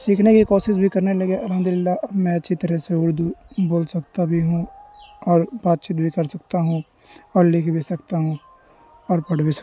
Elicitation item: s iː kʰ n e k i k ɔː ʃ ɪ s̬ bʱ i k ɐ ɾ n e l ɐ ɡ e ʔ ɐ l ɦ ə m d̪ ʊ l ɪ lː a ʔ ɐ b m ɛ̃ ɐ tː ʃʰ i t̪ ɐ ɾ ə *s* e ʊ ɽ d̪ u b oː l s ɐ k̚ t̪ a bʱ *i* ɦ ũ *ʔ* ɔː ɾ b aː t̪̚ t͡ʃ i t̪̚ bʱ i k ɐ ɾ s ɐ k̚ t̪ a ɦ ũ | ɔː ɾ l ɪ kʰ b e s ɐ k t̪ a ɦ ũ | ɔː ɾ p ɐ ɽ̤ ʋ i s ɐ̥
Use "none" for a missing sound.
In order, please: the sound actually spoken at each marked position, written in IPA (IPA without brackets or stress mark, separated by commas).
s, i, none